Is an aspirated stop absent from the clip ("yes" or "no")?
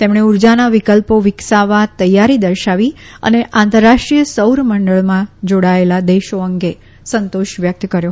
yes